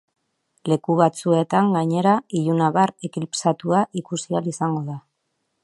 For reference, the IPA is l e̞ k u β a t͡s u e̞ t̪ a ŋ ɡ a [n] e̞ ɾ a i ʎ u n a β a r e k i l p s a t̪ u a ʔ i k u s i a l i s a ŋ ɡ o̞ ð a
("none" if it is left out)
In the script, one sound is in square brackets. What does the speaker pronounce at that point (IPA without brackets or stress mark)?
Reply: ɲ